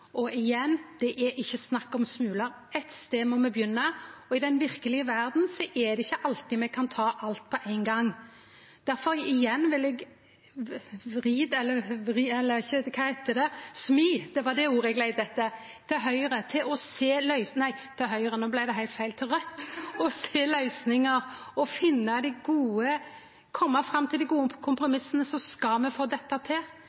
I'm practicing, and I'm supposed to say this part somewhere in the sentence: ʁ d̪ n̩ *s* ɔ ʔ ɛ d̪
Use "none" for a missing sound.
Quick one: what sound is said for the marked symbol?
s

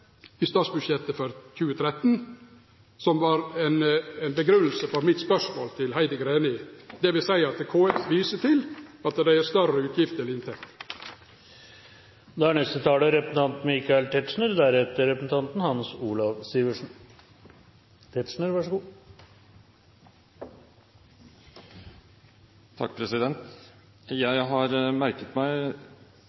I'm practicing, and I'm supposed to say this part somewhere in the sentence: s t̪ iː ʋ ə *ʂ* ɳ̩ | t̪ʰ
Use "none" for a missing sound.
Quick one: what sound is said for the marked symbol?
ʂ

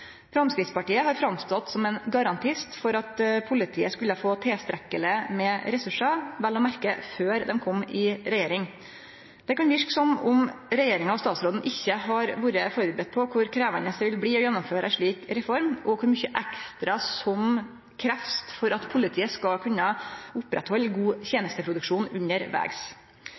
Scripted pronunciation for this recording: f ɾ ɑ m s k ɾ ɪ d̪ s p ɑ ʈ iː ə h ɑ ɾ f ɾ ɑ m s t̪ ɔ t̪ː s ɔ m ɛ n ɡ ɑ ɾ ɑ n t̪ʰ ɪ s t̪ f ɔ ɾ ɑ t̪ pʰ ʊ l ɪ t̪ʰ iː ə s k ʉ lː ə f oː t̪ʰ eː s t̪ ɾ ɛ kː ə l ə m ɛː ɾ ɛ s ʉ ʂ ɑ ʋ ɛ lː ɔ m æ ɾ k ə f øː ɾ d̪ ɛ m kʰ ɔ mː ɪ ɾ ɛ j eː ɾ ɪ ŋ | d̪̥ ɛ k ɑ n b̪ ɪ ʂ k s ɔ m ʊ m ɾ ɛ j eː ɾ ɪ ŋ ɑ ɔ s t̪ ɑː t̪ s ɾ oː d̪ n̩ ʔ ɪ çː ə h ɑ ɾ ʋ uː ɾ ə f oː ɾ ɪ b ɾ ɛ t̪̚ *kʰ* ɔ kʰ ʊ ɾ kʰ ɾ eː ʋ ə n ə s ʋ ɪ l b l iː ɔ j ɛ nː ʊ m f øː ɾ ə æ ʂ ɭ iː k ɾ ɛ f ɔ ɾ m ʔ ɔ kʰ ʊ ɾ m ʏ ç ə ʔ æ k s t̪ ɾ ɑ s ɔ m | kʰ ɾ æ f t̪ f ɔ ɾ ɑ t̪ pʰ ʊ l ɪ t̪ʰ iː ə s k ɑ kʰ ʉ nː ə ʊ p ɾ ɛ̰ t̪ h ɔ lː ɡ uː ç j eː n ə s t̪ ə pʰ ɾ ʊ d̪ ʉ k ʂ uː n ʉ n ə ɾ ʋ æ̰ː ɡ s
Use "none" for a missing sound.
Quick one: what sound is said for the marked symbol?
pʰ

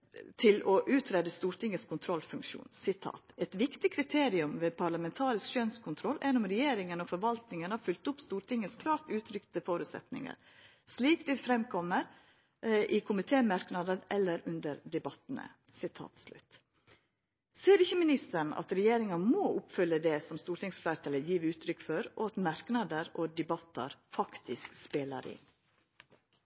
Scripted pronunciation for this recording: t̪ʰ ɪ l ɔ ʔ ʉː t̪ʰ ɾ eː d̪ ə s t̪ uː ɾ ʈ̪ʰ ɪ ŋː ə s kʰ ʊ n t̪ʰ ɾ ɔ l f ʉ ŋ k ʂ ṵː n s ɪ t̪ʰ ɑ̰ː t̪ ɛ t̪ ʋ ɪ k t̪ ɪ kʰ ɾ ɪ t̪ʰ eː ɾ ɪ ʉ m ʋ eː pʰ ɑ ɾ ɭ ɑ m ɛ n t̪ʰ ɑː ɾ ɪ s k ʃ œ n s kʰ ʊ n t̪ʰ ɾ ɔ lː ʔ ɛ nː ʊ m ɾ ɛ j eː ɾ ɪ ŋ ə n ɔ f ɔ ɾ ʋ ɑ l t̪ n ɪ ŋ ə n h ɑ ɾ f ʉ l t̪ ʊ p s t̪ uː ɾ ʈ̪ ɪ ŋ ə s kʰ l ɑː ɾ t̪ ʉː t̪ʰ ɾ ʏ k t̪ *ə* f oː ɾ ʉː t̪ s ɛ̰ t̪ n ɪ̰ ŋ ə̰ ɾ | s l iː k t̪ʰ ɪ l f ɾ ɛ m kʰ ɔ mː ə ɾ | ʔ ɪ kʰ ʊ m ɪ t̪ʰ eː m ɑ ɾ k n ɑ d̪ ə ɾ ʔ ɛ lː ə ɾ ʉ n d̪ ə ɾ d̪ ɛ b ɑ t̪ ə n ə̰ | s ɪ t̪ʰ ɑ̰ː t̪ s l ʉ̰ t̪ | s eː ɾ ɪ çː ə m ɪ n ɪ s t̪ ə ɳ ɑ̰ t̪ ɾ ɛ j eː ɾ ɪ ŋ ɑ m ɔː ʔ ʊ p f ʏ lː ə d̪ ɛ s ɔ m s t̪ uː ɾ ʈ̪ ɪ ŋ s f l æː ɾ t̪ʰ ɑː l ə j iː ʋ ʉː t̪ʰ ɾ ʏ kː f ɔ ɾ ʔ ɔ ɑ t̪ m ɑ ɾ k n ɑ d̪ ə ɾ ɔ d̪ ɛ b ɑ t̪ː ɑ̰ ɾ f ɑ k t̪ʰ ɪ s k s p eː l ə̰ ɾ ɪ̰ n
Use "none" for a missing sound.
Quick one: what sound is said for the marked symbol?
ə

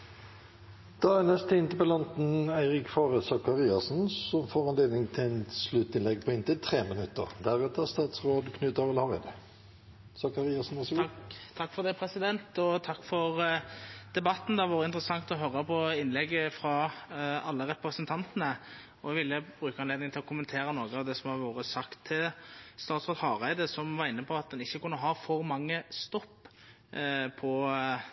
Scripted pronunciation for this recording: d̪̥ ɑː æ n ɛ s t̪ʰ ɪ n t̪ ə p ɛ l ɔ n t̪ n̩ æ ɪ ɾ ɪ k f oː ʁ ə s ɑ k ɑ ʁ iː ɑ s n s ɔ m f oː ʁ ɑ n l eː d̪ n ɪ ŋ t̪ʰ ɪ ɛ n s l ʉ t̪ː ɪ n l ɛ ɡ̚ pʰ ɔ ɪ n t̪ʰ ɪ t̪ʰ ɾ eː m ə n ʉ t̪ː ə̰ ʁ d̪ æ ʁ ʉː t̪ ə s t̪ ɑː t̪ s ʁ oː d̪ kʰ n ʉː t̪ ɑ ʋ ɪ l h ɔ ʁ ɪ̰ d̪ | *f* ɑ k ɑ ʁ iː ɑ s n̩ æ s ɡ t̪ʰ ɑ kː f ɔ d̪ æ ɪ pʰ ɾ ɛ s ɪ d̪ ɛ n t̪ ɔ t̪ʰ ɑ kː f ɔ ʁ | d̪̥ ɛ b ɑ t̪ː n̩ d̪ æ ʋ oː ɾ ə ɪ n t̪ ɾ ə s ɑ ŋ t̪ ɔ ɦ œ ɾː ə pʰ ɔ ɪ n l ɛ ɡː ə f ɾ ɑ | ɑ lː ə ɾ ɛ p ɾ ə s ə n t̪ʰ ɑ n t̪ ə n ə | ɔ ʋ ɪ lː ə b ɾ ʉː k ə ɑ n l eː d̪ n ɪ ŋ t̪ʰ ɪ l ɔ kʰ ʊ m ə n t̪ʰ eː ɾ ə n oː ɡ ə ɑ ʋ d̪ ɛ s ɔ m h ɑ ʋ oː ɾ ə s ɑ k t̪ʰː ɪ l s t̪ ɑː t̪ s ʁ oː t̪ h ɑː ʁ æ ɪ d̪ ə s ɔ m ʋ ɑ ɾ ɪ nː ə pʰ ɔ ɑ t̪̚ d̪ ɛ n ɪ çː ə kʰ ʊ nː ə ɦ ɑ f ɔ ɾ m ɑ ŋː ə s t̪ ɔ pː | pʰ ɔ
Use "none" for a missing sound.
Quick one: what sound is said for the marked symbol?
s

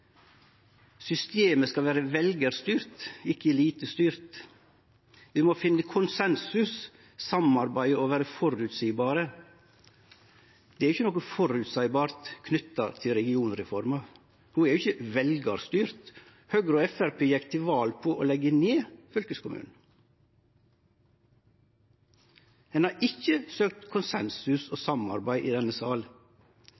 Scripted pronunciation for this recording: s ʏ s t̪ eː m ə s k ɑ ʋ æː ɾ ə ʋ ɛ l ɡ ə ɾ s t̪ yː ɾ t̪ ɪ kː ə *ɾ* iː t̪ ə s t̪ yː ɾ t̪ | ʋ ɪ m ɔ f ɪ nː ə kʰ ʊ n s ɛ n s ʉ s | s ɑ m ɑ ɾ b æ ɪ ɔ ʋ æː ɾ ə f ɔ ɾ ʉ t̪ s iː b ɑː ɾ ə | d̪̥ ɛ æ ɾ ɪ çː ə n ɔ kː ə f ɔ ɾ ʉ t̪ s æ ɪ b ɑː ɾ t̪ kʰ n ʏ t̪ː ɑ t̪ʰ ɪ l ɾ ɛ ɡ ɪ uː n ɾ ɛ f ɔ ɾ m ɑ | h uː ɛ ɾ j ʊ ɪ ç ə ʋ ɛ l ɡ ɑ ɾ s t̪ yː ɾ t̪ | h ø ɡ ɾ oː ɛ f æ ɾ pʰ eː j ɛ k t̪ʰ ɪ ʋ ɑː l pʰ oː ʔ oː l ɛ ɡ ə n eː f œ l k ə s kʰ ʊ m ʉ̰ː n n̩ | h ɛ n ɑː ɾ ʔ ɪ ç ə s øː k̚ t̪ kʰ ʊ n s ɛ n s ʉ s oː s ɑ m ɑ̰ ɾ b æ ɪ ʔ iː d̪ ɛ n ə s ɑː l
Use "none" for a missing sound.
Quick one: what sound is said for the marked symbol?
l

